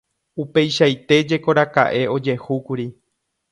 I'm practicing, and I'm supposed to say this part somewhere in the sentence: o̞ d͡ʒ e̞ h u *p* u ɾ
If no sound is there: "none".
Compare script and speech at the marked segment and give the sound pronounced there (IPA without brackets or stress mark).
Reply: k